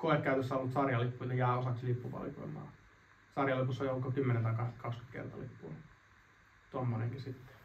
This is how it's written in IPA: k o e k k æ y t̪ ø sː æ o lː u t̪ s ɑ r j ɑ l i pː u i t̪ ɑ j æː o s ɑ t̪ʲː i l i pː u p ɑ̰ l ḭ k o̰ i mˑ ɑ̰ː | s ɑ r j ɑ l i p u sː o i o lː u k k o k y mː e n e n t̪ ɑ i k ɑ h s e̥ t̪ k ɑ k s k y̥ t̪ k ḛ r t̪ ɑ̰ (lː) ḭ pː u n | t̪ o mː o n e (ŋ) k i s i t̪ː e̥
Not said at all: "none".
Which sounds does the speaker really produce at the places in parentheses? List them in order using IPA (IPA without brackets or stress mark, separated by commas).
l, ŋ